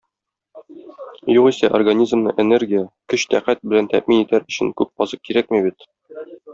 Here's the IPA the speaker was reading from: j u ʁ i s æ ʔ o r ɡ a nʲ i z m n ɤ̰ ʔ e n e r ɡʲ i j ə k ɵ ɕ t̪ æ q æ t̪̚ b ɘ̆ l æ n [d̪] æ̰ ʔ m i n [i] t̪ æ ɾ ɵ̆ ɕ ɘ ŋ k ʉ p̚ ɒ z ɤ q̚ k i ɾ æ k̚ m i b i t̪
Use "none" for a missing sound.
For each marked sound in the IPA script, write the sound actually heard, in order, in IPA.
t̪, i

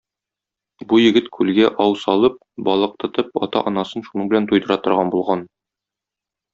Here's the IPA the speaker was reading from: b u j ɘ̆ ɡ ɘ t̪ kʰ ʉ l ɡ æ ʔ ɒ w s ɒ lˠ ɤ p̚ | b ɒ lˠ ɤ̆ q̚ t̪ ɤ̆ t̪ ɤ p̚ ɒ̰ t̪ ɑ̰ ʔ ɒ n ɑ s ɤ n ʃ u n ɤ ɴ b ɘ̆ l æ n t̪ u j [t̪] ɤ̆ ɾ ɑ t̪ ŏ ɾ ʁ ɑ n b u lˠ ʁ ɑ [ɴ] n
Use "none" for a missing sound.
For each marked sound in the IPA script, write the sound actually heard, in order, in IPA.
d̪, none

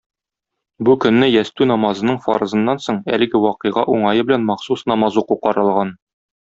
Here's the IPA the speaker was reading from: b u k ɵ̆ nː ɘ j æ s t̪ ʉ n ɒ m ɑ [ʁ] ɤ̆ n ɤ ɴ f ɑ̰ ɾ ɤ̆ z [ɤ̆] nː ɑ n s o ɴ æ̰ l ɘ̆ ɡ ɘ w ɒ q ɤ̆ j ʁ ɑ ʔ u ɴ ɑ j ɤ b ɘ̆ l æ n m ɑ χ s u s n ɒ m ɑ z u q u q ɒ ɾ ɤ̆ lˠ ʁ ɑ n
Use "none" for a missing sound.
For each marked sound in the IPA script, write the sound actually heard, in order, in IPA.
z, ɤ̆

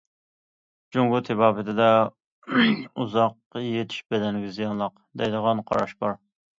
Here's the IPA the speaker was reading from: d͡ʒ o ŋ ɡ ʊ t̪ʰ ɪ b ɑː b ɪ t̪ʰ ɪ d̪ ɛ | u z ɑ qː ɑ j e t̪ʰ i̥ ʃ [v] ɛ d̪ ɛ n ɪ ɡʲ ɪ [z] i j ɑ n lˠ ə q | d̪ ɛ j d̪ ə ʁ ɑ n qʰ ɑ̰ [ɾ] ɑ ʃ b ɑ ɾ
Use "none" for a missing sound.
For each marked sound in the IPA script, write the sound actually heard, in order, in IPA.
b, z, ɾ

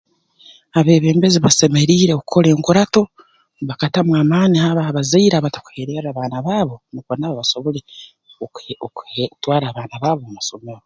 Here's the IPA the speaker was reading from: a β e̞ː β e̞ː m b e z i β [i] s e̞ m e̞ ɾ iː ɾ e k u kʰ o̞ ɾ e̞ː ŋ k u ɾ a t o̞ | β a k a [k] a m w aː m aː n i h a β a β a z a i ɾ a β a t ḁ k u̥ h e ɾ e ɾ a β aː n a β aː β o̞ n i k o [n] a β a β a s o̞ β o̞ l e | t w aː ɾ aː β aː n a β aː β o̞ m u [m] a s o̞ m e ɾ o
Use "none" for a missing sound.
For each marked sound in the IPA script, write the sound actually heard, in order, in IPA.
a, t, n, m

